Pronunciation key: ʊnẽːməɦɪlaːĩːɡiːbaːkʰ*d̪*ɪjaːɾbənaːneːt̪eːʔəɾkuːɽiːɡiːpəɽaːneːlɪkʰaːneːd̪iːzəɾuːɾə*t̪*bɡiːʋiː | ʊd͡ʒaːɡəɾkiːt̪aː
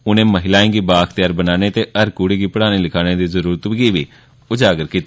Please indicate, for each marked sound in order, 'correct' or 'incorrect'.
incorrect: t̪, correct

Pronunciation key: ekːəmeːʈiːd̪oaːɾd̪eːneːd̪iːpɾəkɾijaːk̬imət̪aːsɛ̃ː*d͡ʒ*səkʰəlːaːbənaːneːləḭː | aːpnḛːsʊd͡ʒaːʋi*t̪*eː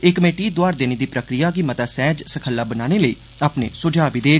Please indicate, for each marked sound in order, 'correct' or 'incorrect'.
correct, incorrect: d̪

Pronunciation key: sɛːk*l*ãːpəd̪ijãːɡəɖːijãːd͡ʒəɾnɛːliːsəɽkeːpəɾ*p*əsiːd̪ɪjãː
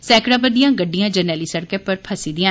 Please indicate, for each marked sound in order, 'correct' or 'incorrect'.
incorrect: ɽ, incorrect: pʰ

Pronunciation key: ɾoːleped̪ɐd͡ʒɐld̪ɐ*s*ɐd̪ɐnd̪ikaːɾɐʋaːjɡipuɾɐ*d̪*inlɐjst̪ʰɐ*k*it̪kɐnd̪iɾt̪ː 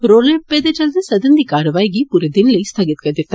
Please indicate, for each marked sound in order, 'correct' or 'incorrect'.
correct, correct, incorrect: ɡ

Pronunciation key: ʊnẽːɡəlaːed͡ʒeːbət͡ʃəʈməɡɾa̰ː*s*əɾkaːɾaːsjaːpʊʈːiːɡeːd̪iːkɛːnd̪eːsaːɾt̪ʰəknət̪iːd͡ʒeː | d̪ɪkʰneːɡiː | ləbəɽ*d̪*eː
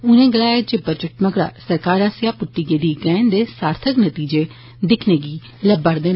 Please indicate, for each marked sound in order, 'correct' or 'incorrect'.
correct, correct

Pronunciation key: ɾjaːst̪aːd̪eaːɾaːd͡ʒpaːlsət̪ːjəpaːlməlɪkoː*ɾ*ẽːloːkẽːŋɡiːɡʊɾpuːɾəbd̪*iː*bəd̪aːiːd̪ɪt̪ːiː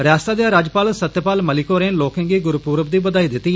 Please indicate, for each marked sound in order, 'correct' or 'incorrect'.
correct, correct

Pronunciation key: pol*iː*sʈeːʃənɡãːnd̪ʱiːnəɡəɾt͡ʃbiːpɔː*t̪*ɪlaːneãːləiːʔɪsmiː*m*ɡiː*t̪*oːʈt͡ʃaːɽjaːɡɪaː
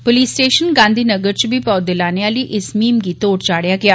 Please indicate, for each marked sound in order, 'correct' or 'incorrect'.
correct, incorrect: d̪, correct, correct

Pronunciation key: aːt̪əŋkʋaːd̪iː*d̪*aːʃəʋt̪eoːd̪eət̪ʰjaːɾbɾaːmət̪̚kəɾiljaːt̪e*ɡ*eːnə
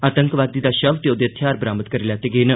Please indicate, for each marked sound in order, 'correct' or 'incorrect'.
correct, correct

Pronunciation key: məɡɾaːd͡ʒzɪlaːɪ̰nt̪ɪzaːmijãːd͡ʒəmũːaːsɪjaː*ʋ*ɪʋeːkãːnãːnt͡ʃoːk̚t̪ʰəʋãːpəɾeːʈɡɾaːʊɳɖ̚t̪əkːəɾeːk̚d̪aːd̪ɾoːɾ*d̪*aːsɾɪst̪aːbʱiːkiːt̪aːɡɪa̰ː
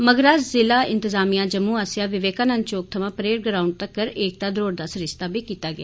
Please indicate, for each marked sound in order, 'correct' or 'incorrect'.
correct, correct

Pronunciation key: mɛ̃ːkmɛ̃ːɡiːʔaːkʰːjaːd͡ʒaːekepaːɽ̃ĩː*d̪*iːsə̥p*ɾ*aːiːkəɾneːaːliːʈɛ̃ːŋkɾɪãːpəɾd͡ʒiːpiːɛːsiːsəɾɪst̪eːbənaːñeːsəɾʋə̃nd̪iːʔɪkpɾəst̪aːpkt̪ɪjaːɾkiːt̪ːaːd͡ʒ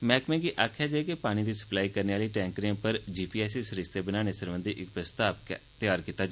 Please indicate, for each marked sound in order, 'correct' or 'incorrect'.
correct, incorrect: l

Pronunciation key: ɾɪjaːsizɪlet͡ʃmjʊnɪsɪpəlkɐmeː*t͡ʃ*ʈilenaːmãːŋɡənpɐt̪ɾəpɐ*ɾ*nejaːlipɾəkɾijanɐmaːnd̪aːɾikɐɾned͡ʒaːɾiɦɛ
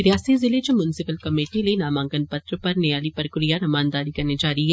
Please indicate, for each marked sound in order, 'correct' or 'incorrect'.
incorrect: none, correct

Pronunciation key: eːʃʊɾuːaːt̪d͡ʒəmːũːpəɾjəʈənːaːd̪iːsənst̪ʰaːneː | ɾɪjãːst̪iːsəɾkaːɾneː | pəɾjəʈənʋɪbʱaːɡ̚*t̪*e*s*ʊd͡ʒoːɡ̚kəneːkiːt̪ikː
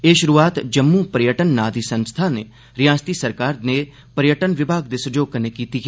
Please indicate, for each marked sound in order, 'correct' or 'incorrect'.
incorrect: d̪, correct

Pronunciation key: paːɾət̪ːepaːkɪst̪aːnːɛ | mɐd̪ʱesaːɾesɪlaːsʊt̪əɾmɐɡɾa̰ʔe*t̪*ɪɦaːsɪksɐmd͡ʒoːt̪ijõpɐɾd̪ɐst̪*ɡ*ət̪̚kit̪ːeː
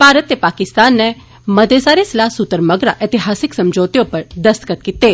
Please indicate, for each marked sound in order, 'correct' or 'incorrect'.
correct, incorrect: k

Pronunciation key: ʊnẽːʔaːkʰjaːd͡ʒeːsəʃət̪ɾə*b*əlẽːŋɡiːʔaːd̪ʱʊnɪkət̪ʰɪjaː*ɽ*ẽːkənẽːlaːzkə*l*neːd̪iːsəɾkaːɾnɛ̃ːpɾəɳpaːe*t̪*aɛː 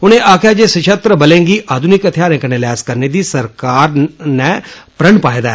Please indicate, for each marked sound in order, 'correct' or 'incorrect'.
correct, incorrect: ɾ, incorrect: ɾ, incorrect: d̪

